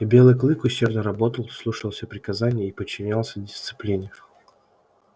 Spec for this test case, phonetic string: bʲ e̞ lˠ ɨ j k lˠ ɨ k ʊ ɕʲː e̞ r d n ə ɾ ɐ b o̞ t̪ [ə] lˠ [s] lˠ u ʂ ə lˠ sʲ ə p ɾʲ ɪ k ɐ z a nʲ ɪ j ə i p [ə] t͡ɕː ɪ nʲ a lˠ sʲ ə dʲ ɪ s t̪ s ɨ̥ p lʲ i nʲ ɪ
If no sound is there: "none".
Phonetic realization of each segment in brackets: ə, s, ə

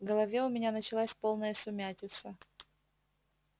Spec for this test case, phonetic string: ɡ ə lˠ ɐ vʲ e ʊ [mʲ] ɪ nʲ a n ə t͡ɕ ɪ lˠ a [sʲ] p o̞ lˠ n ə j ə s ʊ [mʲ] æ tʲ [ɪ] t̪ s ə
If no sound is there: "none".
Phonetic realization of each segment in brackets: mʲ, sʲ, mʲ, ɪ

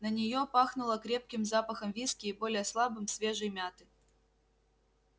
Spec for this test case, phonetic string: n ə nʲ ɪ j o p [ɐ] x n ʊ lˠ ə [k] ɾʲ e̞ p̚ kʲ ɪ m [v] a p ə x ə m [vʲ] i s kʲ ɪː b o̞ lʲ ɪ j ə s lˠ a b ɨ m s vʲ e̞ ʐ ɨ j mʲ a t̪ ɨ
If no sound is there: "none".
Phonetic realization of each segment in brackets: a, k, z, vʲ

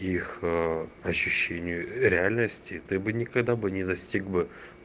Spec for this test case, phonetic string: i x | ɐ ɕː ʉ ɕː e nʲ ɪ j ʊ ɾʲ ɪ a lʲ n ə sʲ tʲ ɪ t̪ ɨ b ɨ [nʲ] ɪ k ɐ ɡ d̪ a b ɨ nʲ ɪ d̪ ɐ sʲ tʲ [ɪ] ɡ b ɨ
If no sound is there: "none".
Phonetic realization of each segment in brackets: nʲ, i

